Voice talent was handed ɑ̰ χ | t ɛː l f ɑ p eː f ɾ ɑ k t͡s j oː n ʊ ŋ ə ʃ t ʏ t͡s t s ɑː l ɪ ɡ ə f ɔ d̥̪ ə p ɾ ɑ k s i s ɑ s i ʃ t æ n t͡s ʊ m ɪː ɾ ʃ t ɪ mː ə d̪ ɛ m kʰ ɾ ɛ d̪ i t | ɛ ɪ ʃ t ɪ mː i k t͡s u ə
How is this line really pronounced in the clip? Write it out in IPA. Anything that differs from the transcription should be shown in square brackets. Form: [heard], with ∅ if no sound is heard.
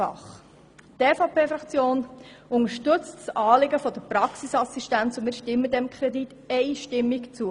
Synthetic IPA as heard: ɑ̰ χ | t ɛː [∅] f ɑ p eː f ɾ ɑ k t͡s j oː n ʊ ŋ ə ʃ t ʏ t͡s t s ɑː l ɪ ɡ ə f ɔ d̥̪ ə p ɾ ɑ k s i s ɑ s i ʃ t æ n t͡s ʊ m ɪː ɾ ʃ t ɪ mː ə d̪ ɛ m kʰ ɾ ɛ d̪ i t | ɛ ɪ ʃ t ɪ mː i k t͡s u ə

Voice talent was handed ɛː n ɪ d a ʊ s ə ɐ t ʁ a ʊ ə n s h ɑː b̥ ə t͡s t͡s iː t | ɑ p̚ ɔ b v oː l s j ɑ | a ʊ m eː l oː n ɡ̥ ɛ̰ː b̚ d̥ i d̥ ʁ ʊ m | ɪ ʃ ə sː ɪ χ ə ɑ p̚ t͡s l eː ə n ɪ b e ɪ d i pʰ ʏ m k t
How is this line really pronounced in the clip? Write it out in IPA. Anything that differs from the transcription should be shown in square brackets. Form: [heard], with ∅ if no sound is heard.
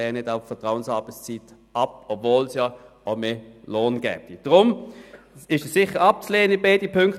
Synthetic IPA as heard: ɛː n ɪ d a ʊ [f] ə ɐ t ʁ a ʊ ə n s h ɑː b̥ ə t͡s t͡s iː t | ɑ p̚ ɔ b v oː l s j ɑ | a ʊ m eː l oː n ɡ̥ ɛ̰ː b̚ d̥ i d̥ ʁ ʊ m | ɪ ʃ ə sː ɪ χ ə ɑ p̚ t͡s l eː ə n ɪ b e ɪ d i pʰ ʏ [ŋ] k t

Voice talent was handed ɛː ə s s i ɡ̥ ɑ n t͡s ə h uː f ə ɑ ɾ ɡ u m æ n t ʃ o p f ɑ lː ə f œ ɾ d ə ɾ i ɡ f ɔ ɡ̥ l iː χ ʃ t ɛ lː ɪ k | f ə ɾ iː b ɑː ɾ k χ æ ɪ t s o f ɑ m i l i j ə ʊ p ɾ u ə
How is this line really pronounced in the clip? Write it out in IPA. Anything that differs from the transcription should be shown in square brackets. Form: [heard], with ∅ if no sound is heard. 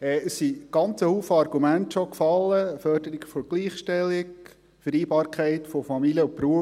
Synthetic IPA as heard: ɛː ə s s i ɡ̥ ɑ n t͡s ə h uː f ə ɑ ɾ ɡ u m æ n t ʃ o [k] f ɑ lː ə f œ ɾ d ə ɾ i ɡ f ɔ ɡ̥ l iː χ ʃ t ɛ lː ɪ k | f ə ɾ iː b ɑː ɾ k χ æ ɪ t [f] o f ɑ m i l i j ə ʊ p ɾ u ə

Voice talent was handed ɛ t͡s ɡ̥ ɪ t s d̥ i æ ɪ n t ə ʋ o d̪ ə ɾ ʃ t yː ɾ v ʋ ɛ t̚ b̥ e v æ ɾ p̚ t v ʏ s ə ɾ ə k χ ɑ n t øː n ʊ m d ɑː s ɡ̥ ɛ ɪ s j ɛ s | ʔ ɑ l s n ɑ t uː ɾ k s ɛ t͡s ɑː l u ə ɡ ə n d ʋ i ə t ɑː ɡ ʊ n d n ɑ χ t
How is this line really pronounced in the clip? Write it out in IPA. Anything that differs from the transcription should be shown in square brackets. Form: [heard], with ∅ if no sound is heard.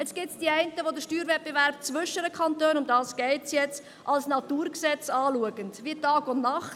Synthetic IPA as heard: ɛ t͡s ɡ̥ ɪ t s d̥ i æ ɪ n t ə ʋ o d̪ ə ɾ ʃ t yː ɾ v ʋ ɛ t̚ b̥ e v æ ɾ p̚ [t͡s] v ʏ [ʃ] ə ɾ ə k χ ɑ n t øː n ʊ m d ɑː s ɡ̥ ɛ ɪ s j ɛ [t͡s] | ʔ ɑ l s n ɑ t uː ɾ k s ɛ t͡s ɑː l u ə ɡ ə n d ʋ i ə t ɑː ɡ ʊ n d n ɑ χ t

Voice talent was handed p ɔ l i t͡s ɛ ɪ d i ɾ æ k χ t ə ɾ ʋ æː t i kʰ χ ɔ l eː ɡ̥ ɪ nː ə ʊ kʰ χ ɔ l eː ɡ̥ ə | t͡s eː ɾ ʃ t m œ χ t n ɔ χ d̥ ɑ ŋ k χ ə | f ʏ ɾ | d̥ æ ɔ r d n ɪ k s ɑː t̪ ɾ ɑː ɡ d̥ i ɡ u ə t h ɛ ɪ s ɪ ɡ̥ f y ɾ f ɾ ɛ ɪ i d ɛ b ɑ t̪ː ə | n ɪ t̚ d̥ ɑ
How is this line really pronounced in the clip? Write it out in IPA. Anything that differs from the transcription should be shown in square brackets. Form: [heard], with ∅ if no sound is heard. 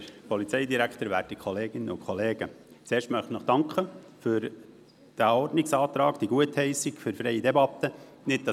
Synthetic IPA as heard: p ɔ l i t͡s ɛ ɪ d i ɾ æ k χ t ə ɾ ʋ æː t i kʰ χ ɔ l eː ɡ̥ ɪ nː ə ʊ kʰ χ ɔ l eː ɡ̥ ə | t͡s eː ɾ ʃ t m œ χ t n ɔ χ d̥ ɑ ŋ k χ ə | f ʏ ɾ | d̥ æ ɔ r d n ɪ k s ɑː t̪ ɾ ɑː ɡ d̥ i ɡ u ə t h ɛ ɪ s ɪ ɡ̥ f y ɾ f ɾ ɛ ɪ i d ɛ b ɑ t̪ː ə | n ɪ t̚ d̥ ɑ

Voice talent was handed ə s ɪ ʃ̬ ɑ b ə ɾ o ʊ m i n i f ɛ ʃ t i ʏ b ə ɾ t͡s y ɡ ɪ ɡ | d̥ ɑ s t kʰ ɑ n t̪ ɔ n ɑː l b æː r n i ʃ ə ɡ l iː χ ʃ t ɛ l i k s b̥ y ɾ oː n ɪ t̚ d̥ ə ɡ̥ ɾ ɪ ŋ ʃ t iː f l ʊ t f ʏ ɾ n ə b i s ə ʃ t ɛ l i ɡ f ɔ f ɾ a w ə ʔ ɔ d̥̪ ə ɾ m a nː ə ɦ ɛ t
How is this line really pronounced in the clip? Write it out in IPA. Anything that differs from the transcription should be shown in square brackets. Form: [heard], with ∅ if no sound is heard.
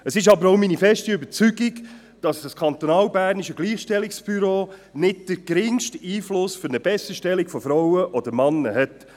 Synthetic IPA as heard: ə s ɪ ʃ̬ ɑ b ə ɾ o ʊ m i n i f ɛ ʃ t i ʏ b ə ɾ t͡s y ɡ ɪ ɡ | d̥ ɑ s [s] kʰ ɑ n t̪ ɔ n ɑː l b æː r n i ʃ ə ɡ l iː χ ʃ t ɛ l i k s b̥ y ɾ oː n ɪ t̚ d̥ ə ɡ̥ ɾ ɪ ŋ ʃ t iː f l ʊ [s] f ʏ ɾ n ə b [ɛ] s ə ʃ t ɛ l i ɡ f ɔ f ɾ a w ə ʔ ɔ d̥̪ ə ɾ m [ɑ] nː ə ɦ ɛ t

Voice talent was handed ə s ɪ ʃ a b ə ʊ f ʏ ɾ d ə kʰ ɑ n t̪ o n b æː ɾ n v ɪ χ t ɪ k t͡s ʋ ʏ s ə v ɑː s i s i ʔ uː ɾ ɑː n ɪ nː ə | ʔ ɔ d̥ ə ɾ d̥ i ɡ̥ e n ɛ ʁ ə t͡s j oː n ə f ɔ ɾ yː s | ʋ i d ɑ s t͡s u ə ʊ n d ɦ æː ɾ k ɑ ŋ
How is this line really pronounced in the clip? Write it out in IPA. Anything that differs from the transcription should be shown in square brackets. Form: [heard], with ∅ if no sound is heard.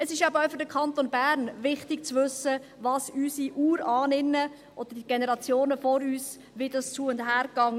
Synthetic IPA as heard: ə s ɪ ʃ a b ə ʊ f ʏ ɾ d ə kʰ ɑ n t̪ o n b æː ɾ n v ɪ χ t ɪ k t͡s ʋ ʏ s ə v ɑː s [y] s i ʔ uː ɾ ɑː n ɪ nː ə | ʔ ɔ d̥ ə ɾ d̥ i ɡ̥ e n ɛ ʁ [ɑ] t͡s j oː n ə f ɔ ɾ yː s | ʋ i d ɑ s t͡s u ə ʊ n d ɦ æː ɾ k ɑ ŋ

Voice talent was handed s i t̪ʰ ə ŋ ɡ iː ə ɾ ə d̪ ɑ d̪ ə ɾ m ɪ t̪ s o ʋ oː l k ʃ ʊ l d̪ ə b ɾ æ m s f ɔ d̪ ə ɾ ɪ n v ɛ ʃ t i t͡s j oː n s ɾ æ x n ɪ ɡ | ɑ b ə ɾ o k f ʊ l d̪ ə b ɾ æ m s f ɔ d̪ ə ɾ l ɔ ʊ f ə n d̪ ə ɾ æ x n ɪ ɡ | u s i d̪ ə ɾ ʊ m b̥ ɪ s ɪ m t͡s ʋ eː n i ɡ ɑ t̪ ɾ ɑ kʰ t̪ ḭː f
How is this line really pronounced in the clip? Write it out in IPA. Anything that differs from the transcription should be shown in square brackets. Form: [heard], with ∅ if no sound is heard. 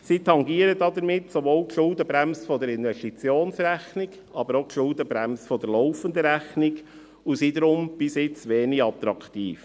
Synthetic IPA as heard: s i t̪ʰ [ɑ] ŋ ɡ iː ə ɾ ə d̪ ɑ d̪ ə ɾ m ɪ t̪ s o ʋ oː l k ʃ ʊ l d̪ ə b ɾ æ m s f ɔ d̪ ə ɾ ɪ n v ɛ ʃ t i t͡s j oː n s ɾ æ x n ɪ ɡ | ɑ b ə ɾ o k [ʃ] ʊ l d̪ ə b ɾ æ m s f ɔ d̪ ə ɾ l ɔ ʊ f ə n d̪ ə ɾ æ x n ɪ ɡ | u s i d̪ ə ɾ ʊ m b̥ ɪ s ɪ [∅] t͡s ʋ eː n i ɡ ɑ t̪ ɾ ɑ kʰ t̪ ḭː f

